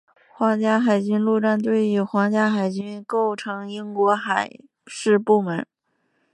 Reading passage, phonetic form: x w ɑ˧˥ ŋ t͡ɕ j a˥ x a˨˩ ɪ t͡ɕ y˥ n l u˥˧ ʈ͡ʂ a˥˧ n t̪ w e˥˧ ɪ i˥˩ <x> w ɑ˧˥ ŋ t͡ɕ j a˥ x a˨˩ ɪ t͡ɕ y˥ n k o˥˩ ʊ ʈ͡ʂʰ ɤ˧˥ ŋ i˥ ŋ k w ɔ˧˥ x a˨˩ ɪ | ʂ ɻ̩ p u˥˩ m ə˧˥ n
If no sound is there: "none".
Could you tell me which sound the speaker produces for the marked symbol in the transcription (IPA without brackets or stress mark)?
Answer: x